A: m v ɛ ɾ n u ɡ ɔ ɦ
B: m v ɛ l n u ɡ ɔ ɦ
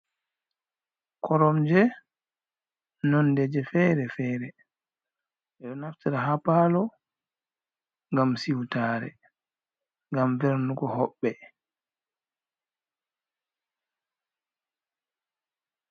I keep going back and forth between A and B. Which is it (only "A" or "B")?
A